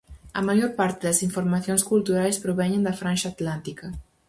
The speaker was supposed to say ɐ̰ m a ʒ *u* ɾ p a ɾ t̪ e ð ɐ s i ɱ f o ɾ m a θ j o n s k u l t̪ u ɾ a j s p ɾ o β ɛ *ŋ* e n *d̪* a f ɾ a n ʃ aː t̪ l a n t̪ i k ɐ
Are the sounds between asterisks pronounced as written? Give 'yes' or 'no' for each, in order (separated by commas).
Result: no, no, yes